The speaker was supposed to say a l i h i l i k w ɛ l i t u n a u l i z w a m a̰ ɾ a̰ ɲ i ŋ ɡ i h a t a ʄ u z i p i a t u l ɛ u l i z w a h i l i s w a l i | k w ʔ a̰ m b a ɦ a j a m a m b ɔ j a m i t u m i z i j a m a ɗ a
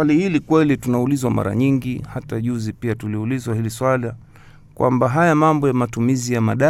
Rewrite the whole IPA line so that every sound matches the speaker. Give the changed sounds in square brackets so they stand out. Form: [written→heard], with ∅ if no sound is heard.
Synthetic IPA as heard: a l i h i l i k w ɛ l i t u n a u l i z w a m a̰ ɾ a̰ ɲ i ŋ ɡ i h a t a ʄ u z i p i a t u l [ɛ→i] u l i z w a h i l i s w a l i | k w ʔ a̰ m b a ɦ a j a m a m b ɔ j a m [i→a] t u m i z i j a m a ɗ a